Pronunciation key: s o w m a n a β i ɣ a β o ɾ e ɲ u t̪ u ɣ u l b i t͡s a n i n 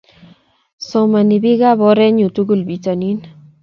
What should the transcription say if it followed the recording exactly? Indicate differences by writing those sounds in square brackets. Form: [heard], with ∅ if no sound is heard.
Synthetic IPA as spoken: s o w m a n [i] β i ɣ a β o ɾ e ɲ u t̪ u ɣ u l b i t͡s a n i n